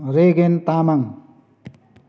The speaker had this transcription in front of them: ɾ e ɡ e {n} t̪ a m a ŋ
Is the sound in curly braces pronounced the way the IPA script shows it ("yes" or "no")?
yes